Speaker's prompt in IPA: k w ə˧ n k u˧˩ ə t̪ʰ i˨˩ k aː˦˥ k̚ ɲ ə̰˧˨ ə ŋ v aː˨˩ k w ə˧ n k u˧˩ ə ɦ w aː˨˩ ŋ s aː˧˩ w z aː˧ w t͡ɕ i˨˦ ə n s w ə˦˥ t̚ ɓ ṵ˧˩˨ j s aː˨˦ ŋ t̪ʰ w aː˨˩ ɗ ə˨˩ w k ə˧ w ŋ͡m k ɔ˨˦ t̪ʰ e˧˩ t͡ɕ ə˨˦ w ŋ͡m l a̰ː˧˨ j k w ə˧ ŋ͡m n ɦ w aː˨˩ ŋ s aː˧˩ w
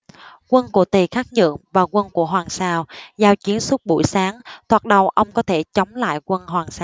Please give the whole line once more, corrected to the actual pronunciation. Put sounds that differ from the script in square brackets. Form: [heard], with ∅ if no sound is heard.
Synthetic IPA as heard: k w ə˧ n k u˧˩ ə [t̪] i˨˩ [x] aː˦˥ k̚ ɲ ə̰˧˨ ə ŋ v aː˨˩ k w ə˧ n k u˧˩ ə ɦ w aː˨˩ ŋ s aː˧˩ w z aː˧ w t͡ɕ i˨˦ ə n s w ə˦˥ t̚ ɓ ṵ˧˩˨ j s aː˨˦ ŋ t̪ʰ w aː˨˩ ɗ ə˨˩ w [ʔ] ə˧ w ŋ͡m k ɔ˨˦ t̪ʰ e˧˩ t͡ɕ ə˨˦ w ŋ͡m l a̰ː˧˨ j k w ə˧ [∅] n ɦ w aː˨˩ ŋ s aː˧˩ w